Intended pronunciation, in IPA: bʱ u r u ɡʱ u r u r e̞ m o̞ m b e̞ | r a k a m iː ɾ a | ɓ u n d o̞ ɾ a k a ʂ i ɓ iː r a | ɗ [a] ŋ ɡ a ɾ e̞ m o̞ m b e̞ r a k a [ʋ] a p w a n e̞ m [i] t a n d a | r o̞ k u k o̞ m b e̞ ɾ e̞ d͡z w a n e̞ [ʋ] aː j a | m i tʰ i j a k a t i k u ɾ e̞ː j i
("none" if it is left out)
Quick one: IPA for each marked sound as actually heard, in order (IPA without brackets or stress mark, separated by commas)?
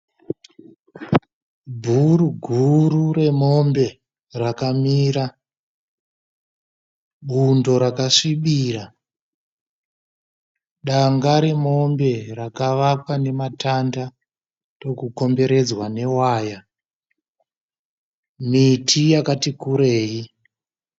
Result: a, ʋ, a, w